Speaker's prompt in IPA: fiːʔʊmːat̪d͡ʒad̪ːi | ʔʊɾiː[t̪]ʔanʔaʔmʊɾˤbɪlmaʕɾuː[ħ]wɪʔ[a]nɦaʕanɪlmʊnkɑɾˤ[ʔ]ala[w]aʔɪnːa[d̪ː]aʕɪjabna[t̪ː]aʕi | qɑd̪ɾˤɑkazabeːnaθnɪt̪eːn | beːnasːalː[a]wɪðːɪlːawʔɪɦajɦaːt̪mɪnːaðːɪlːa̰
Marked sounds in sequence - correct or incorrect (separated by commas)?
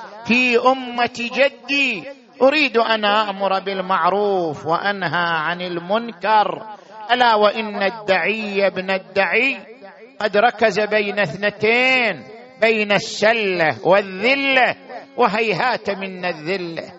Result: incorrect, incorrect, correct, correct, correct, correct, incorrect, correct